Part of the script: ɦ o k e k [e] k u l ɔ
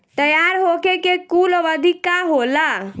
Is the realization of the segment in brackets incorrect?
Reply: no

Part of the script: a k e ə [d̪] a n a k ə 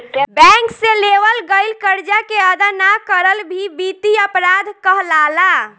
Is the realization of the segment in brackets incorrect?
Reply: no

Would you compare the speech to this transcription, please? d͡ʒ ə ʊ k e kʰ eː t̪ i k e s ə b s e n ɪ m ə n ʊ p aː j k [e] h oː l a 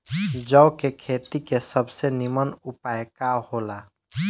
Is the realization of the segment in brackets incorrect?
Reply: yes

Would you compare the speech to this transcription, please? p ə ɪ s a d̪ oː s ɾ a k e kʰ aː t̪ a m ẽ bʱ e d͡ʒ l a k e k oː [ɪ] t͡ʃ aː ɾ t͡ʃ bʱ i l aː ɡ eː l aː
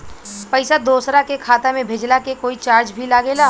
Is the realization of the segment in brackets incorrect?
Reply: yes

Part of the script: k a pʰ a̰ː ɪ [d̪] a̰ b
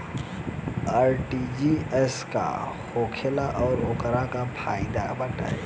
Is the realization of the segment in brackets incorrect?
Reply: no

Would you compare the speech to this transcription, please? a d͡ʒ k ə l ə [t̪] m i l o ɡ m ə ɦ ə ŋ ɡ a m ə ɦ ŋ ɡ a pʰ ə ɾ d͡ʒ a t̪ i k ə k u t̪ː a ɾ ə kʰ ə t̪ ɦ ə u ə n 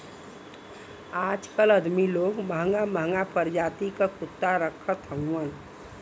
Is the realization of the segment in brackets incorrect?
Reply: yes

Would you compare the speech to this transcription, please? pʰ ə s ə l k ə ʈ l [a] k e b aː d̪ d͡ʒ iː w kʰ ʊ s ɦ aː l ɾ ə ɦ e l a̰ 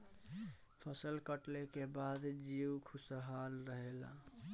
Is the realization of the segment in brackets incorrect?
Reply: yes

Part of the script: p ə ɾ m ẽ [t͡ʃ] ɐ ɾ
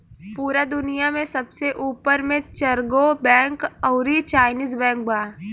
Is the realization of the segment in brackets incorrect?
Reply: no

